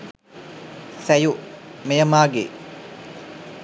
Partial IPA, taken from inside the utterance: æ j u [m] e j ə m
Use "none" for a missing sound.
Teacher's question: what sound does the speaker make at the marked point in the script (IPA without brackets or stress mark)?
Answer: m